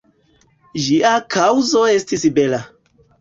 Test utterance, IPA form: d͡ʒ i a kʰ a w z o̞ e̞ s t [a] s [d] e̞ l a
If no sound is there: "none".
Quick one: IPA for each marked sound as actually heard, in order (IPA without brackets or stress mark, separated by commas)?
i, b